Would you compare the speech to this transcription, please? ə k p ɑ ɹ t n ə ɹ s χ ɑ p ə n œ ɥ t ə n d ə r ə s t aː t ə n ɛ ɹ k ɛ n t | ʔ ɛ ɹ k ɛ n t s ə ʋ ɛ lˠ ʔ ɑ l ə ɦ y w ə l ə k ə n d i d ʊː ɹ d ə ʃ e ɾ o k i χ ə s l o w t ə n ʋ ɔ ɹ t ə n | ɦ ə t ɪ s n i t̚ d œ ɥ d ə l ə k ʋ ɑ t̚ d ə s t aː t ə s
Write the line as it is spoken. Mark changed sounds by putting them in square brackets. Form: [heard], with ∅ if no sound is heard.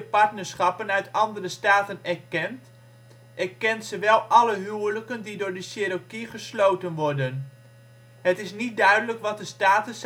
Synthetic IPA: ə [∅] p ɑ ɹ t n ə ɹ s χ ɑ p ə n œ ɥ t [ɑ] n d ə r ə s t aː t ə n ɛ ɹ k ɛ n t | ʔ ɛ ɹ k ɛ n t s ə ʋ ɛ lˠ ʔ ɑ l ə ɦ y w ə l ə k ə n d i d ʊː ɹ d ə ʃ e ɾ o k i χ ə s l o w t ə n ʋ ɔ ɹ [d] ə n | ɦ ə t ɪ s n i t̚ d œ ɥ d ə l ə k ʋ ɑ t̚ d ə s t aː t ə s

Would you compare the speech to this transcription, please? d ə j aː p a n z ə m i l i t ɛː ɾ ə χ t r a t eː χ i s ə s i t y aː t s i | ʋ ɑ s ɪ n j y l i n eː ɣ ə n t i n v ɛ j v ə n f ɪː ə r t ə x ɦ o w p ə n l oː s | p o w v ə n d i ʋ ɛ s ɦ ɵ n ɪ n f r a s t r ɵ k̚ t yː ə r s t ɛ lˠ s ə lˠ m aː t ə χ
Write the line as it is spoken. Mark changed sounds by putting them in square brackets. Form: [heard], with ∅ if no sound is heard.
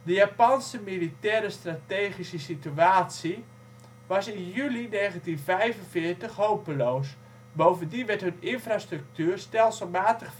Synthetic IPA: d ə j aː p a n [s] ə m i l i t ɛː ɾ ə [s] t r a t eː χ i s ə s i t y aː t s i | ʋ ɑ s ɪ n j y l i n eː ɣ ə n t i n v ɛ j v ə n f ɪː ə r t ə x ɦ o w p ə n l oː s | [b] o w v ə n d i ʋ ɛ [t] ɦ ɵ n ɪ n f r a s t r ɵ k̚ t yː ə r s t ɛ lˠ s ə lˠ m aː t ə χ

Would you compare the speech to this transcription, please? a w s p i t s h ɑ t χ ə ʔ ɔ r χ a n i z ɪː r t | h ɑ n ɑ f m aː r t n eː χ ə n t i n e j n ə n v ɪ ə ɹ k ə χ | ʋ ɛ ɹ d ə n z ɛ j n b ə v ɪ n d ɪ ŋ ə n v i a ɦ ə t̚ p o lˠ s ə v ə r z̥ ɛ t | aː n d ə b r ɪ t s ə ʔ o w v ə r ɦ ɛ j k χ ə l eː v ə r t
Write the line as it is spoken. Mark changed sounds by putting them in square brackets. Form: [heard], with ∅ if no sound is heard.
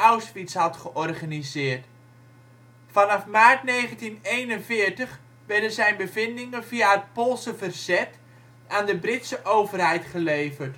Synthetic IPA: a w s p i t s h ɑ t χ ə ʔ ɔ r χ a n i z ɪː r t | [f] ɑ n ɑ f m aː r t n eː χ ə n t i n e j n ə n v ɪ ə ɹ [t] ə χ | ʋ ɛ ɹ d ə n z ɛ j n b ə v ɪ n d ɪ ŋ ə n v i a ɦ ə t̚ p o lˠ s ə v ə r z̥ ɛ t | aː n d ə b r ɪ t s ə ʔ o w v ə r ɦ ɛ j [t] χ ə l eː v ə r t

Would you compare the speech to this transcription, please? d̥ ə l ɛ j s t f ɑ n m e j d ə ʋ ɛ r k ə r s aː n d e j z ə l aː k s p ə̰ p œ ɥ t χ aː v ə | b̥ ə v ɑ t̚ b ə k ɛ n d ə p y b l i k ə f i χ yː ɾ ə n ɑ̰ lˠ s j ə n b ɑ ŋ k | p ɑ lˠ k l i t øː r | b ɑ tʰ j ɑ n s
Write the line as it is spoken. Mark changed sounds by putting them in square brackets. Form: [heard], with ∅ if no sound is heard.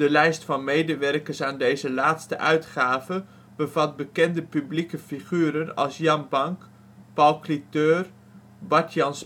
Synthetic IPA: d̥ ə l ɛ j s t f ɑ n m e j d ə ʋ ɛ r k ə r s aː n d e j z ə l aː [t] s [t] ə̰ [ʔ] œ ɥ t χ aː v ə | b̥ ə v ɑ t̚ b ə k ɛ n d ə p y b l i k ə f i χ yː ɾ ə n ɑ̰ lˠ s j [ɑ] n b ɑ ŋ k | p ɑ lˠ k l i t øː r | b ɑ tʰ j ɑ n s

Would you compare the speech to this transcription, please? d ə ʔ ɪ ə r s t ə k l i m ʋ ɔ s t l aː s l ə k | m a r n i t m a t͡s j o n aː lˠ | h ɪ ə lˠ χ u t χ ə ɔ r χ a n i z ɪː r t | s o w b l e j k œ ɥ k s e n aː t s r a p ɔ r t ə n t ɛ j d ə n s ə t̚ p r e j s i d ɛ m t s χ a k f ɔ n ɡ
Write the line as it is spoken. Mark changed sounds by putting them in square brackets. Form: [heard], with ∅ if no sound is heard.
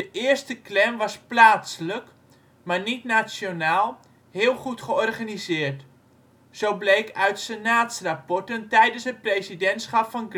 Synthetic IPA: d ə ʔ ɪ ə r s t ə k l [ɛ] m ʋ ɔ s [p] l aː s l ə k | m a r n i t [n] a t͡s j o n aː lˠ | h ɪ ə lˠ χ u t χ ə ɔ r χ a n i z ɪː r t | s o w b l e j k œ ɥ [t] s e n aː t s r a p ɔ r t ə n t ɛ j d ə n s ə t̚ p r e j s i d ɛ [n] t s χ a [p] f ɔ n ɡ

